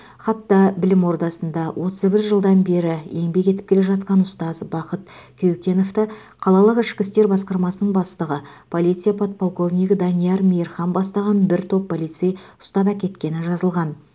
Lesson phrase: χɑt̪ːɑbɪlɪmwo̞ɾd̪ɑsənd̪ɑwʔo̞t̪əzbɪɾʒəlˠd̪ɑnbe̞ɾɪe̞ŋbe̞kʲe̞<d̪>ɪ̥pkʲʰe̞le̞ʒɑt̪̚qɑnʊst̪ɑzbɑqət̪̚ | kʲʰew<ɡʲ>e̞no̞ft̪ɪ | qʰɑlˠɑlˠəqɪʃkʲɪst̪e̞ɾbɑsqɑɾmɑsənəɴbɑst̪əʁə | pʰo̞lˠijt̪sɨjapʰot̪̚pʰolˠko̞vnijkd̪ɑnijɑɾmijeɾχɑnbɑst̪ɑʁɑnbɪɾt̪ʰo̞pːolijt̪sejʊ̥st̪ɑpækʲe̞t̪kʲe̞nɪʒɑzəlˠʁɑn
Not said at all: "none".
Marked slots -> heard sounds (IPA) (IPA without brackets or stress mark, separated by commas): t̪, kʲ